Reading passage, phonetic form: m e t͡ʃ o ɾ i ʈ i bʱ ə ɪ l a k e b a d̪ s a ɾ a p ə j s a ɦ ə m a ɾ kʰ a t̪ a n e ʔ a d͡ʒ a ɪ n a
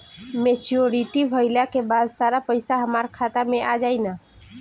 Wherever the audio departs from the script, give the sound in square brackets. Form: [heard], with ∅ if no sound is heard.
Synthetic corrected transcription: m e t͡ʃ o ɾ i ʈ i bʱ ə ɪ l a k e b a d̪ s a ɾ a p ə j s a ɦ ə m a ɾ kʰ a t̪ a [m] e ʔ a d͡ʒ a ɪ n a